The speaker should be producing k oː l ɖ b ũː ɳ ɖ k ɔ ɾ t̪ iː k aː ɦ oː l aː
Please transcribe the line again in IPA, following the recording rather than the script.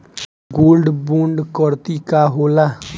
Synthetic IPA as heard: ɡ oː l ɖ b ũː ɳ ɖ k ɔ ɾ t̪ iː k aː ɦ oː l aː